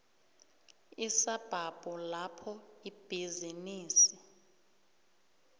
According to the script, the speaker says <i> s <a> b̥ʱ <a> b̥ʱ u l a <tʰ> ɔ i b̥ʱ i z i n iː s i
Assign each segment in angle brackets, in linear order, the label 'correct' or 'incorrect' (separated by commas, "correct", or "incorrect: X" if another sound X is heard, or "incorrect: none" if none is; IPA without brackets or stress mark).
correct, correct, correct, incorrect: pʰ